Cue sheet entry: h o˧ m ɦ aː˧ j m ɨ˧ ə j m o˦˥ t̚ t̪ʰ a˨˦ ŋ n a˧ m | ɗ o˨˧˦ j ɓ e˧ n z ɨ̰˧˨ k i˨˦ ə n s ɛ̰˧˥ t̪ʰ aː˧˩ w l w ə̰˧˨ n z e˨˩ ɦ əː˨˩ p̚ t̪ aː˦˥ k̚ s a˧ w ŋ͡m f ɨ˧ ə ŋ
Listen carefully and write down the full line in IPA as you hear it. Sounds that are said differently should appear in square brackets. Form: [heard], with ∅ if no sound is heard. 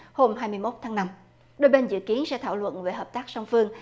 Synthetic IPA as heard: h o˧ m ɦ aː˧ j m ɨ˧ ə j m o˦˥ t̚ t̪ʰ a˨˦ ŋ n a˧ m | ɗ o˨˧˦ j ɓ e˧ n z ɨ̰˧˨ k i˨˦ ə n s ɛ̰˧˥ t̪ʰ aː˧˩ w l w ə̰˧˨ n [v] e˨˩ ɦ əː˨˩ p̚ t̪ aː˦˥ k̚ s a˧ w ŋ͡m f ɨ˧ ə ŋ